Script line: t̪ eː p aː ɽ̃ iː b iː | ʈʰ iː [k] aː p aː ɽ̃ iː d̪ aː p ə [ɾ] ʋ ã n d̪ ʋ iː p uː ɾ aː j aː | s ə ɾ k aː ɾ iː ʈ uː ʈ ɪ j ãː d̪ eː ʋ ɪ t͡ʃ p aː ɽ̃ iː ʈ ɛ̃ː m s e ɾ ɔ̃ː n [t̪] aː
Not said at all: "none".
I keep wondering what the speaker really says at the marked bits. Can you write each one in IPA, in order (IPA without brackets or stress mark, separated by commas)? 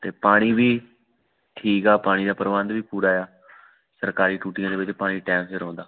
k, ɾ, d̪